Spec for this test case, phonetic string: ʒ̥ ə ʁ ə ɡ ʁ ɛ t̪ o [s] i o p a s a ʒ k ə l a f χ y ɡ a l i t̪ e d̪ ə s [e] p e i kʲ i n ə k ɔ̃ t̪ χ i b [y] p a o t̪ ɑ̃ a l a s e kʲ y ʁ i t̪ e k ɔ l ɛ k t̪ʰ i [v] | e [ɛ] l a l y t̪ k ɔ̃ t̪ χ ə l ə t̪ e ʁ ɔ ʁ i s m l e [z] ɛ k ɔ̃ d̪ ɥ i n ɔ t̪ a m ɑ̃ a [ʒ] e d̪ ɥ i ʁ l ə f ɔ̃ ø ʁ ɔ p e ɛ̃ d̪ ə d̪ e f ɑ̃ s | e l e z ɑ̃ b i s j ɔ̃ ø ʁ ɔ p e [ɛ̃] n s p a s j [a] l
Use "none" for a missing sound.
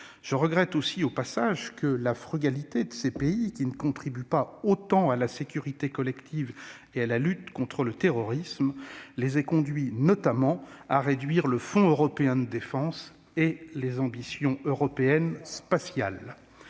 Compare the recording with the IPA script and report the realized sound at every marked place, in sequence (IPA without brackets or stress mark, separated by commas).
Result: s, e, y, v, a, z, ʁ, ɛ, a